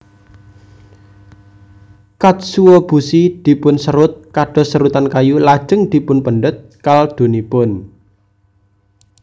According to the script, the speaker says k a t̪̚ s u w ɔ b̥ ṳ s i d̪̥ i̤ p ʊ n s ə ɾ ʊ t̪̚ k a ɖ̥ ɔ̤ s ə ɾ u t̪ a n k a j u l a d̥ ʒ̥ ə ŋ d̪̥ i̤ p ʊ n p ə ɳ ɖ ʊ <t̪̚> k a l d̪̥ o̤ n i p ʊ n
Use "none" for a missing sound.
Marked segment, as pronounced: t̪̚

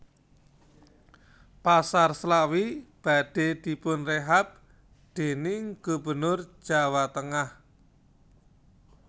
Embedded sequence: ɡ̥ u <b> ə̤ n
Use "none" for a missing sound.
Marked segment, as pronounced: b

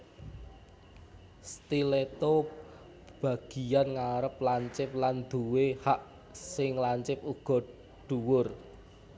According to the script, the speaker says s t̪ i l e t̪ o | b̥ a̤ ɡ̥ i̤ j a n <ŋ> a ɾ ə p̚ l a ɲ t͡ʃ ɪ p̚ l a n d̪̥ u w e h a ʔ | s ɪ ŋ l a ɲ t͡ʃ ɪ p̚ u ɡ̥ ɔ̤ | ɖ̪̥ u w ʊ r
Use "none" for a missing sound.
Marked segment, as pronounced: ŋ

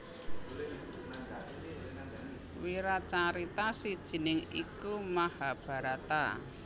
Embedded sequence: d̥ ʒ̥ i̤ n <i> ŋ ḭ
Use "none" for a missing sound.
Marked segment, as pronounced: ɪ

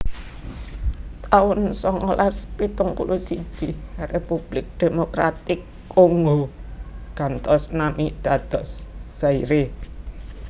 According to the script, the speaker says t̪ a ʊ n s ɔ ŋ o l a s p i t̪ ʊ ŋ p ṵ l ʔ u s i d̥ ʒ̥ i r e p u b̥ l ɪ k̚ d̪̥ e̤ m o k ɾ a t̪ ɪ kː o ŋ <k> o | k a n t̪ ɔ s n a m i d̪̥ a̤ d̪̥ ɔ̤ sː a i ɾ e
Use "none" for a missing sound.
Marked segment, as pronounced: ɡ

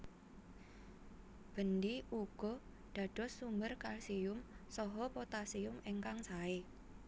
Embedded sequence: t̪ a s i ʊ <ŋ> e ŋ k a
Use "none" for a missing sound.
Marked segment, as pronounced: m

